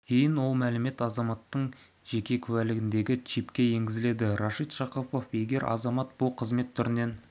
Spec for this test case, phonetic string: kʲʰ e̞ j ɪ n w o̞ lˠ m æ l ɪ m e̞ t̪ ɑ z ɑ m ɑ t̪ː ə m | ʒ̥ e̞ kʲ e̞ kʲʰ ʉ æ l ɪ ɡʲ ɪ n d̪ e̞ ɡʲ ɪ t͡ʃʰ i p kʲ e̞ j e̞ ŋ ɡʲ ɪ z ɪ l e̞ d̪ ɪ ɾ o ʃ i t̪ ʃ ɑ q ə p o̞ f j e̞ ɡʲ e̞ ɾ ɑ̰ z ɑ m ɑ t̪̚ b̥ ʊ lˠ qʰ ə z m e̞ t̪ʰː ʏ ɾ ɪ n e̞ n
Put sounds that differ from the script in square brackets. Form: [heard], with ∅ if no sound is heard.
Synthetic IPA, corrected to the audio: kʲʰ e̞ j ɪ n w o̞ lˠ m æ l ɪ m e̞ t̪ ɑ z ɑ m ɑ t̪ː ə [ɴ] | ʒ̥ e̞ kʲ e̞ kʲʰ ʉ æ l ɪ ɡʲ ɪ n d̪ e̞ ɡʲ ɪ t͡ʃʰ i p kʲ e̞ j e̞ ŋ ɡʲ ɪ z ɪ l e̞ d̪ ɪ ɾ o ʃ i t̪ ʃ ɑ q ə p o̞ f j e̞ ɡʲ e̞ ɾ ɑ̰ z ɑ m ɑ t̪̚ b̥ ʊ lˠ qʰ ə z m e̞ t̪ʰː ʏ ɾ ɪ n e̞ n